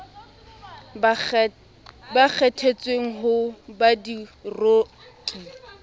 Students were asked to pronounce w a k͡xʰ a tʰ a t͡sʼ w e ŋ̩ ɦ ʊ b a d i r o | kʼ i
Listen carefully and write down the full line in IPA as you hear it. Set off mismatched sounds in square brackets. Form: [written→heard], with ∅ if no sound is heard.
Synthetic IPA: [w→b] a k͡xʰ [a→ɛ] tʰ [a→e] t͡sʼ w e ŋ̩ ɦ ʊ b a d i r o | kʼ i